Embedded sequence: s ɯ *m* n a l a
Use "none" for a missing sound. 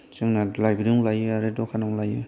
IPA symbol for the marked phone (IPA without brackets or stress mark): ŋ